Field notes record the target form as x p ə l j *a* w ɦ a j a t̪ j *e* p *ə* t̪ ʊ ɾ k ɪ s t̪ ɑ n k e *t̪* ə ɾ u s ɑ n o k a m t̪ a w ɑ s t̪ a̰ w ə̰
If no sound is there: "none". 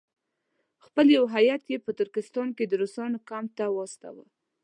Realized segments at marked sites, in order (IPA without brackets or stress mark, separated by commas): a, e, ə, d̪